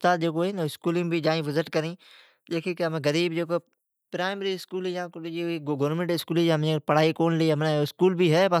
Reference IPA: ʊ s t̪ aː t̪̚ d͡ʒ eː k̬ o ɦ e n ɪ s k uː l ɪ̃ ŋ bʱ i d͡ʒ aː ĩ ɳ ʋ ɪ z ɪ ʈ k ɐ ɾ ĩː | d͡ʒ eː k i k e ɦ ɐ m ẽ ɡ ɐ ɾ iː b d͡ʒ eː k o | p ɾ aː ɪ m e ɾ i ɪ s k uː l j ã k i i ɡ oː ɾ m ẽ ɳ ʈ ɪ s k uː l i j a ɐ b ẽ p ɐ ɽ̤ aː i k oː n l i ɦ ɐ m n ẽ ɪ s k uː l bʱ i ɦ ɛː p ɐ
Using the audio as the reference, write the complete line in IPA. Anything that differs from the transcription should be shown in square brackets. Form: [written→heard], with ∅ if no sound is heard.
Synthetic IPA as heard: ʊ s t̪ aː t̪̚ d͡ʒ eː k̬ o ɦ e n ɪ s k uː l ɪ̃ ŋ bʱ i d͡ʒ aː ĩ [ɳ→∅] ʋ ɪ z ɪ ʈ k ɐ ɾ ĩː | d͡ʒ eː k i k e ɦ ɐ m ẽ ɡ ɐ ɾ iː b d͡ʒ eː k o | p ɾ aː ɪ m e ɾ i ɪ s k uː l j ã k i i ɡ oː ɾ m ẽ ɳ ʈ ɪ s k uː l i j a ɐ [b→m] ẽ p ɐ ɽ̤ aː i k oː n l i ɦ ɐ m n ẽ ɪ s k uː l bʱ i ɦ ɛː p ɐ